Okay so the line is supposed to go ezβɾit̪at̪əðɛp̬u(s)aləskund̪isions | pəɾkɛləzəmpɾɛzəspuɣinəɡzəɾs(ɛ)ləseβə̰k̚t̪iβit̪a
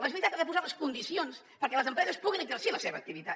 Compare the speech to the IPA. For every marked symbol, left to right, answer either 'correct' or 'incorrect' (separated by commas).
incorrect, incorrect